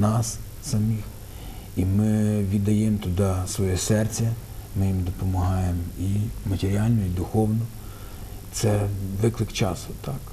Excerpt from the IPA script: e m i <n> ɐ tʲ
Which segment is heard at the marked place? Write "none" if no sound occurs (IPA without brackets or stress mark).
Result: m